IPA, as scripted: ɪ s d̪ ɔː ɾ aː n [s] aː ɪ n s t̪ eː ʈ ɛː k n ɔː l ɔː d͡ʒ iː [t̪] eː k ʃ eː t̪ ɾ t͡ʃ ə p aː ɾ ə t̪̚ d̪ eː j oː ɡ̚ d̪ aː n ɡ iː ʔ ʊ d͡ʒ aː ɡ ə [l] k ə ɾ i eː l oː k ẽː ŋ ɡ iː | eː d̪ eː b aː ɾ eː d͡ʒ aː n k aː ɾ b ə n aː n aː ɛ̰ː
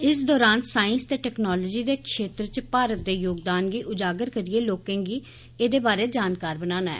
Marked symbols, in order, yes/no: yes, no, no

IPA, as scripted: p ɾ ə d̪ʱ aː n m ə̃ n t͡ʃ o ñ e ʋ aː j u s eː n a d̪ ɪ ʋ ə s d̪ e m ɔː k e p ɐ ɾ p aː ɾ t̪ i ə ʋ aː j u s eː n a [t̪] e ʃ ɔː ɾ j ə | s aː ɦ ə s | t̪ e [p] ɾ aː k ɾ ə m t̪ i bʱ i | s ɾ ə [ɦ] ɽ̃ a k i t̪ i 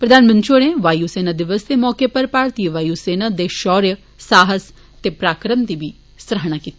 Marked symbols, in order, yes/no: no, yes, yes

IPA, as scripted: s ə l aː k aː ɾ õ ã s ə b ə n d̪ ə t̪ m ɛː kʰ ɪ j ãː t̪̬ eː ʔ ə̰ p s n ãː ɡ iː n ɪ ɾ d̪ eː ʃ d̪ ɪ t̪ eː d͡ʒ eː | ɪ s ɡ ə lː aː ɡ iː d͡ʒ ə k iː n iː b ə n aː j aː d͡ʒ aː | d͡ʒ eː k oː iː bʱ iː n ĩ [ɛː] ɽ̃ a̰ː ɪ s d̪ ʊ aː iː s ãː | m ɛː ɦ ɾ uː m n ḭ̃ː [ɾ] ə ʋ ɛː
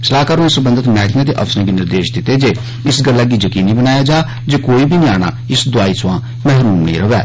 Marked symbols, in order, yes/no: no, yes

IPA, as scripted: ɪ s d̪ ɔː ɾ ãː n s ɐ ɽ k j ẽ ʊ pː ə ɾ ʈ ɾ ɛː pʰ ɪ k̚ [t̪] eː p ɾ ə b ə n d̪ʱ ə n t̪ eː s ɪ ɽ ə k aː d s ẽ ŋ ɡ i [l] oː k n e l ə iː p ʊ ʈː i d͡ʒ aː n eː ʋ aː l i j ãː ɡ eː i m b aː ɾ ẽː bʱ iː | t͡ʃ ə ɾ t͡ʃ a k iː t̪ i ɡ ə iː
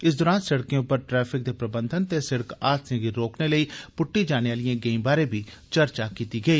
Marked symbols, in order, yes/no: no, no

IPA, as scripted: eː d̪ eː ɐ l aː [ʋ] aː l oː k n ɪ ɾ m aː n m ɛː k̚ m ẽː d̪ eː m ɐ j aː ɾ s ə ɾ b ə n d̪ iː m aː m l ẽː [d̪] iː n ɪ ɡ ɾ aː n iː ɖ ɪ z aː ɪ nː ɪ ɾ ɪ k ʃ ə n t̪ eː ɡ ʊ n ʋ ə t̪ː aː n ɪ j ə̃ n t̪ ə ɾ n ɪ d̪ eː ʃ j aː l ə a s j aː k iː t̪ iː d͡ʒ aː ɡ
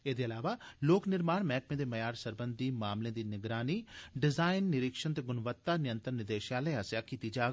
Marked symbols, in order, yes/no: yes, yes

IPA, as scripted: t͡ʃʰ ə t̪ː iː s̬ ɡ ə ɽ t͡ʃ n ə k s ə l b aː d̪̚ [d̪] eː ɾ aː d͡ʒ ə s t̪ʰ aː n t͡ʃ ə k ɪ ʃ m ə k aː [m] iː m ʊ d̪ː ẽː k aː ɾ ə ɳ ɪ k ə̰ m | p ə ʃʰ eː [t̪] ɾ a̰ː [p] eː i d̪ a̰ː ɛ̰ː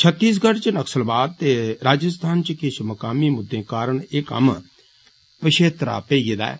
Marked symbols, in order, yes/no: no, yes, yes, yes

